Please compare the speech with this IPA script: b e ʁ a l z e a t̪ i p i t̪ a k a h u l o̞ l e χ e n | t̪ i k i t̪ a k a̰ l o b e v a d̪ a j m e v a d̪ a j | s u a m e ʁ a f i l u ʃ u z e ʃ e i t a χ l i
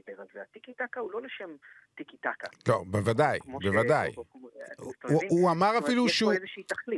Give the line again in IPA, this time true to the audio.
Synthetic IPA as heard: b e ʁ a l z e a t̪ i k i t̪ a k a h u l o̞ l e ʃ e m | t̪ i k i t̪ a k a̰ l o b e v a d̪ a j b e v a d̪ a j | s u a m a ʁ a f i l u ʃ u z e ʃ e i t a χ l i